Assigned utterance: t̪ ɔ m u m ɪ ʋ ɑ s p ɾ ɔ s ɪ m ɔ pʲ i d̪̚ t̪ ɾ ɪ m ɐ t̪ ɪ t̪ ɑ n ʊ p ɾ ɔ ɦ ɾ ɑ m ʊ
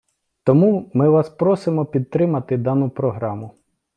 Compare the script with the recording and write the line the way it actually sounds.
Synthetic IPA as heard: t̪ ɔ m u m ɪ ʋ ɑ s p ɾ ɔ s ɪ m ɔ pʲ i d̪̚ t̪ ɾ ɪ m ɐ t̪ ɪ d̪ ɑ n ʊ p ɾ ɔ ɦ ɾ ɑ m ʊ